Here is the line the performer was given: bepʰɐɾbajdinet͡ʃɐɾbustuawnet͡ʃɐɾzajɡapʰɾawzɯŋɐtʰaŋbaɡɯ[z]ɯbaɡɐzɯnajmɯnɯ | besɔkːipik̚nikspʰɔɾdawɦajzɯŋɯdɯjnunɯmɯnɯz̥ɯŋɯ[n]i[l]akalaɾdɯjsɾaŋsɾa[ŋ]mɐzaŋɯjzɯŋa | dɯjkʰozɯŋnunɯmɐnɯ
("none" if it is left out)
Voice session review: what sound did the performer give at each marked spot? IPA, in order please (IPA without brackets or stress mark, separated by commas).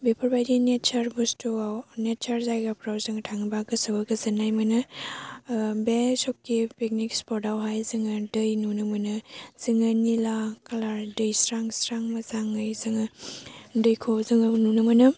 s, n, l, ŋ